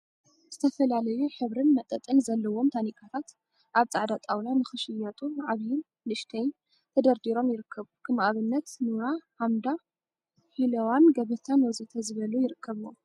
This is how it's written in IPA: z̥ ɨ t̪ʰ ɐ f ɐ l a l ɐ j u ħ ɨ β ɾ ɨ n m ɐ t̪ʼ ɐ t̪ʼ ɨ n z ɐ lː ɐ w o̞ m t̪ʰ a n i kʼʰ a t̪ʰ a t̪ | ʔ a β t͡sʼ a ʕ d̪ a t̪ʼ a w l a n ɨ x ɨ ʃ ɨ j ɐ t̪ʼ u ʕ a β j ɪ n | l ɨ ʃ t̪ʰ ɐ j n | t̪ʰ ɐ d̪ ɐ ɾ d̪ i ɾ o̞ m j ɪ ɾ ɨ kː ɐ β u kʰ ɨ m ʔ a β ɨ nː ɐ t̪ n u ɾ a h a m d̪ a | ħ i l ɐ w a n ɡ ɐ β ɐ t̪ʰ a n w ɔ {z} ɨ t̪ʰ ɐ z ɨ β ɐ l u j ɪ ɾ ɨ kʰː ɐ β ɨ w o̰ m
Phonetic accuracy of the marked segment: correct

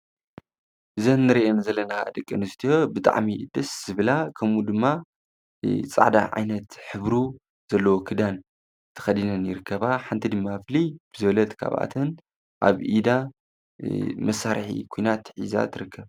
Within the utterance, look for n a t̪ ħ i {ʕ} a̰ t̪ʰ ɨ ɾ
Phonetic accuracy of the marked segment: incorrect: z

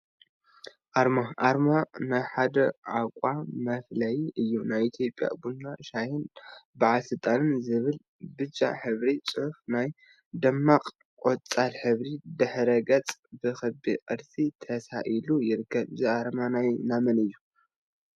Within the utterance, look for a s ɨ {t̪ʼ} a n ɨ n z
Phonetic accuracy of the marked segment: correct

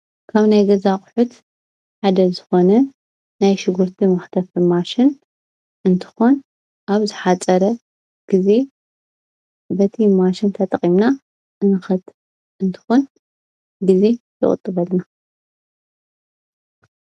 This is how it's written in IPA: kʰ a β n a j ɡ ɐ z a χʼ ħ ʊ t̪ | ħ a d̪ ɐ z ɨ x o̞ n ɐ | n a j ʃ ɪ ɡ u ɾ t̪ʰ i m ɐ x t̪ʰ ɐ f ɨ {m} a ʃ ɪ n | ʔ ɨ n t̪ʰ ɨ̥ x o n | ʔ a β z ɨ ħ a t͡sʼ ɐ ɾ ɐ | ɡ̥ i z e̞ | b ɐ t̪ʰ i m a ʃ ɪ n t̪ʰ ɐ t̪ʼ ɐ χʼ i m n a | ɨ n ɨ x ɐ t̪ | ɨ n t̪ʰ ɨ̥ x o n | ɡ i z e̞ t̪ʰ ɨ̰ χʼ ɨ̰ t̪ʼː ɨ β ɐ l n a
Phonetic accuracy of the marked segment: correct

